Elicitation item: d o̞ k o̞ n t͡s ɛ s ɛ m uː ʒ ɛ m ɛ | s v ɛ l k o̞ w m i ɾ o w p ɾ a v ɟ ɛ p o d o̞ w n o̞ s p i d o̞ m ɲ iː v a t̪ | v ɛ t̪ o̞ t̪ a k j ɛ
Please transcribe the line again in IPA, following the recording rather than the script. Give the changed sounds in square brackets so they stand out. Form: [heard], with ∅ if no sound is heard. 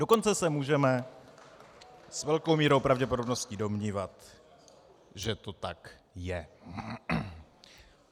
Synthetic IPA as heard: d o̞ k o̞ n t͡s ɛ s ɛ m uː ʒ ɛ m ɛ | s v ɛ l k o̞ w m [iː] ɾ o w p ɾ a v ɟ ɛ p o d o̞ [b] n o̞ s [c] i d o̞ m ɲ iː v a t̪ | [ʒ] ɛ t̪ o̞ t̪ a k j ɛ